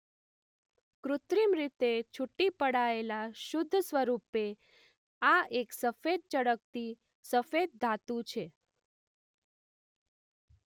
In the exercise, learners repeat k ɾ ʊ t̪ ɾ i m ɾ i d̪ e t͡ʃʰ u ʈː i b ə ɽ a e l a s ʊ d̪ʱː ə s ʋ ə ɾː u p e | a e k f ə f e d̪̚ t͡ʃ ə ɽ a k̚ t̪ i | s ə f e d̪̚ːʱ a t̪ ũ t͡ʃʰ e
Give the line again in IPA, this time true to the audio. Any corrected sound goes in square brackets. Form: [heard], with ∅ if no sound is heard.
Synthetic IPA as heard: k ɾ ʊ t̪ ɾ i m ɾ i [t̪] e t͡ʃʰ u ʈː i [p] ə ɽ a e l a [ʃ] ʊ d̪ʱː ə s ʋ ə [ɾ] u p e | a e k [s] ə f e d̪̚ t͡ʃ ə ɽ [ə] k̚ t̪ i | s ə f e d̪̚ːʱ a t̪ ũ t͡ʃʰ e

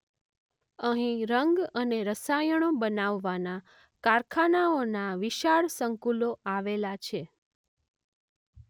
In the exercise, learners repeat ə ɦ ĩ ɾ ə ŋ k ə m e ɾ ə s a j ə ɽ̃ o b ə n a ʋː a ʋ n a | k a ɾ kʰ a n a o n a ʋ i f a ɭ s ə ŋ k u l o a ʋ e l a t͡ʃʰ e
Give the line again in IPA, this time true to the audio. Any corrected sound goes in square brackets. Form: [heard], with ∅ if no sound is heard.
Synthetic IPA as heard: ə ɦ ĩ ɾ ə ŋ [ɡ] ə [n] e ɾ ə s a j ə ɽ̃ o b ə n a ʋː a [∅] n a | k a ɾ kʰ a n a o n a ʋ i [ʃ] a ɭ s ə ŋ k u l o a ʋ e l a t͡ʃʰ e

